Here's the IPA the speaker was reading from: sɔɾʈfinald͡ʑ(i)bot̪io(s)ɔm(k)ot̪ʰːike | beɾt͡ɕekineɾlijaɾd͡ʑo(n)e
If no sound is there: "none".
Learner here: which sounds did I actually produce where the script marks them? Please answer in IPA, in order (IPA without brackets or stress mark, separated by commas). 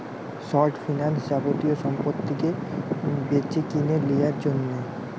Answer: a, ʃ, p, nː